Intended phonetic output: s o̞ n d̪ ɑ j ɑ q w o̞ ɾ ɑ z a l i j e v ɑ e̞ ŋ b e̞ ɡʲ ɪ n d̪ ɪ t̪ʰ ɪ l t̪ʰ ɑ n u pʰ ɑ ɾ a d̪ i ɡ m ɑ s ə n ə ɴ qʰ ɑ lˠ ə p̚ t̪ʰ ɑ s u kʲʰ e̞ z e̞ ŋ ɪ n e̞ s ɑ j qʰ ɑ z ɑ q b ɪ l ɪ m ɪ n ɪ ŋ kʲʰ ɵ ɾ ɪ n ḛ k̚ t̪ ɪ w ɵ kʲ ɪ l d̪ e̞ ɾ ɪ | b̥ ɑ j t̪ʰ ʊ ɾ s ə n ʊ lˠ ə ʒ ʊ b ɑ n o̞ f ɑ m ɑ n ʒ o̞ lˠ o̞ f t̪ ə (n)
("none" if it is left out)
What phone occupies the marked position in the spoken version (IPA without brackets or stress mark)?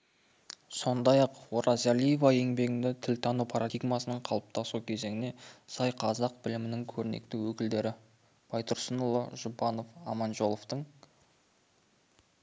ɴ